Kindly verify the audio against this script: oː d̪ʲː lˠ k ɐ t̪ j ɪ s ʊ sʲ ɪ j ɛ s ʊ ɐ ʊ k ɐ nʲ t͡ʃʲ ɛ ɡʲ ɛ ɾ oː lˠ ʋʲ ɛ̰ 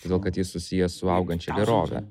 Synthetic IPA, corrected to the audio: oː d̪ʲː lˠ k ɐ t̪ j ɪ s ʊ sʲ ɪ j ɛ s ʊ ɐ ʊ ɡ ɐ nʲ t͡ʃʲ ɛ ɡʲ ɛ ɾ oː ʋʲ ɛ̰